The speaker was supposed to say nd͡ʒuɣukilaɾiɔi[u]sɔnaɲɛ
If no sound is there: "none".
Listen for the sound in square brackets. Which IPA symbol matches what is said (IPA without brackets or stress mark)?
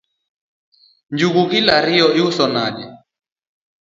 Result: u